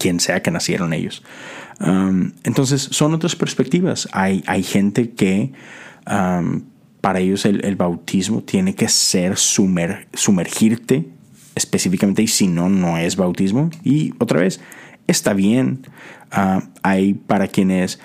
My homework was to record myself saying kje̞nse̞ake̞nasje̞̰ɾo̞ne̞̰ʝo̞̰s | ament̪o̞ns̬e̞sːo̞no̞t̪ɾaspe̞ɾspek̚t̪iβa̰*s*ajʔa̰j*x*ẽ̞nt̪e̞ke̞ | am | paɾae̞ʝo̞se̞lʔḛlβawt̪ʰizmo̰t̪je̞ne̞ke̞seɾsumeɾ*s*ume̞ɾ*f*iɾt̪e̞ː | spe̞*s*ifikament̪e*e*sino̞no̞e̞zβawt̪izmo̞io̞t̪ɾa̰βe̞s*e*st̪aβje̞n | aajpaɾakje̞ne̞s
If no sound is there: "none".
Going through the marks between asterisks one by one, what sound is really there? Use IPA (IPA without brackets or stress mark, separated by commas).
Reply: s, x, s, x, s, i, e